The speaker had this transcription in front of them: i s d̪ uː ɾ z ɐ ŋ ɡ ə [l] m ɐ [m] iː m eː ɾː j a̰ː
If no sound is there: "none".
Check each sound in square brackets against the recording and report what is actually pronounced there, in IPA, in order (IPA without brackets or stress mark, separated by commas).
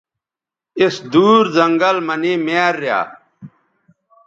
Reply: l, n